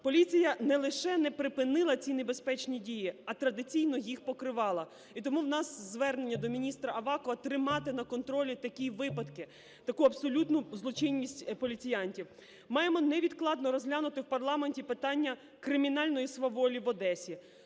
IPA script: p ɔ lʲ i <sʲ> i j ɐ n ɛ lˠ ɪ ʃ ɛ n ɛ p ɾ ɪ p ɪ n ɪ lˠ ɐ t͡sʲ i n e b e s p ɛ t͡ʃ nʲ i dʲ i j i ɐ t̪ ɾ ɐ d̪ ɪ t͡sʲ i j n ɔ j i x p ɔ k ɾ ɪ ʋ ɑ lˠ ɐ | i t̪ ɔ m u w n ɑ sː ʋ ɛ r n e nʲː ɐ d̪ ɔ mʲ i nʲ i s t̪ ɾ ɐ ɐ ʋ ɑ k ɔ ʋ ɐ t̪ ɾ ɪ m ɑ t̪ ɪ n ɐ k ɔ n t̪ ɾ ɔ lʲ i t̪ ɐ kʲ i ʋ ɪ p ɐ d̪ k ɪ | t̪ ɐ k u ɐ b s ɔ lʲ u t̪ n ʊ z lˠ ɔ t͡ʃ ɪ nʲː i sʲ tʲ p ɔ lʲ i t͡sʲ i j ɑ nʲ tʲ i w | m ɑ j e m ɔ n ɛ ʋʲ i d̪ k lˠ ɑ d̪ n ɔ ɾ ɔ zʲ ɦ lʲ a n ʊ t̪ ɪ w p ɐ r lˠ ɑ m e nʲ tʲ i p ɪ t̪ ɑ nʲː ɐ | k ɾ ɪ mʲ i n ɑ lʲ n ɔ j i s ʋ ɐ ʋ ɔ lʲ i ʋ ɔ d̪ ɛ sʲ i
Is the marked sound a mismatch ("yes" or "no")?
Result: yes